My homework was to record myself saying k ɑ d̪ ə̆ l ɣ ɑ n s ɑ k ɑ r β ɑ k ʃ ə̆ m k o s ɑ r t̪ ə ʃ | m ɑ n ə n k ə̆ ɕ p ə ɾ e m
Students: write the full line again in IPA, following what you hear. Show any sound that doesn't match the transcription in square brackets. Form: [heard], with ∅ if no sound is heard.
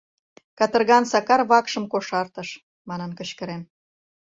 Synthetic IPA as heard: k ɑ [t̪] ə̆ [r] ɣ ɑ n s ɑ k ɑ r β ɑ k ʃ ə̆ m k o [ʃ] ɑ r t̪ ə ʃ | m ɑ n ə n k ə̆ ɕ [k] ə ɾ e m